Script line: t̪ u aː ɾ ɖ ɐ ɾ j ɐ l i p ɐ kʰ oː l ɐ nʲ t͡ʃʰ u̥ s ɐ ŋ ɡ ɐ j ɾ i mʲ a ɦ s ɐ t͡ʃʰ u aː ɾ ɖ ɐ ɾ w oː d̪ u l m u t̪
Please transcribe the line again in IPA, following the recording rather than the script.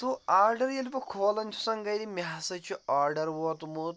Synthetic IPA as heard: t̪ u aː ɾ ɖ ɐ ɾ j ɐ l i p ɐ kʰ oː l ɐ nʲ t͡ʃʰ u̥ s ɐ ŋ ɡ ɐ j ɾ i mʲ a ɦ s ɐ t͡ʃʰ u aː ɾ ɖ ɐ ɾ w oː t̪ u m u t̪